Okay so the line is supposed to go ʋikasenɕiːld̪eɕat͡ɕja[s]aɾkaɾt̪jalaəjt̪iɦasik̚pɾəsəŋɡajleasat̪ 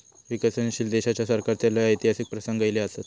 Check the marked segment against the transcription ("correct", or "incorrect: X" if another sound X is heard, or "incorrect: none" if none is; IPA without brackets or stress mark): correct